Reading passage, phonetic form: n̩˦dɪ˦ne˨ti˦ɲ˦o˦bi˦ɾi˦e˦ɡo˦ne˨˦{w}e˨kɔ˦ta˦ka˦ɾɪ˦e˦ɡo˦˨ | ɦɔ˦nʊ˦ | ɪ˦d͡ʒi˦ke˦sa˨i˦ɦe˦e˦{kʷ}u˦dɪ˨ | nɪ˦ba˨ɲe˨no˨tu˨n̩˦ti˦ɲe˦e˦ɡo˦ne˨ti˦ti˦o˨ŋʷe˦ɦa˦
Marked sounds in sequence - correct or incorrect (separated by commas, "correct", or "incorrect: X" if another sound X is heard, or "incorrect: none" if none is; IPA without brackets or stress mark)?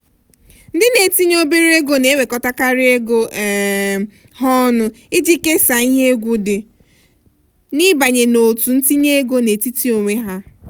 correct, incorrect: ɡʷ